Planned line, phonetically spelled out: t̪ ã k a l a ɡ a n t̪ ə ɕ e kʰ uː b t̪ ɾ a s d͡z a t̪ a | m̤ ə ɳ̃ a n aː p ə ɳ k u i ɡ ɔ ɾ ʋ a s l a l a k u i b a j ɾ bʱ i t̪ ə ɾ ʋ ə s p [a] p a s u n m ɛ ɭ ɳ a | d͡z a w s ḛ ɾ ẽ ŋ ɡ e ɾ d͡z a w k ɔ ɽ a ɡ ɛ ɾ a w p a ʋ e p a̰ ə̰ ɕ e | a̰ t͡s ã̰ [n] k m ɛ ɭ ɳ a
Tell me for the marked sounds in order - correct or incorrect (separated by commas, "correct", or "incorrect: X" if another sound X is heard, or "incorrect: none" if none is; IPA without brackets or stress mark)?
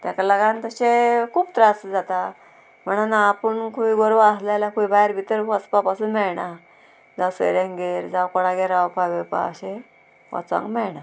correct, incorrect: ŋ